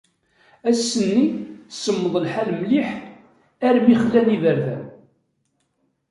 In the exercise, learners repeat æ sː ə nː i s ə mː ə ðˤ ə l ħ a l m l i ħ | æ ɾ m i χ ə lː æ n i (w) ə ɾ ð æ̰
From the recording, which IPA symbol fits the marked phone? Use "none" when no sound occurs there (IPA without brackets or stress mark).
v